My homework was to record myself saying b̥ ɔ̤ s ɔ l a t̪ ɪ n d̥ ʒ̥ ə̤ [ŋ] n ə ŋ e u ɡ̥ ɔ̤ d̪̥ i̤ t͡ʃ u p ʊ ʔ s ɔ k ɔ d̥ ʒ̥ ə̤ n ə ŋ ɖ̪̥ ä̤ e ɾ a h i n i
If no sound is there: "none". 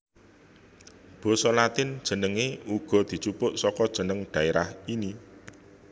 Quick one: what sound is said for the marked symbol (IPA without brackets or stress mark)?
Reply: none